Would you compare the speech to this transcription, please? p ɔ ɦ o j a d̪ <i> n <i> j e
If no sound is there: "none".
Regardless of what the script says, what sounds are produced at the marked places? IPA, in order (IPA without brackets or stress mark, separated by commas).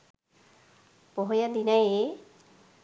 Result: i, a